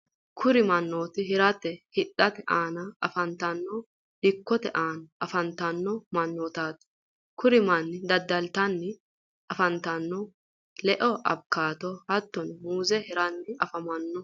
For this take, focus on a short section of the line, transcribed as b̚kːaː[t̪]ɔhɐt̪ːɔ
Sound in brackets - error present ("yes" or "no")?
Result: no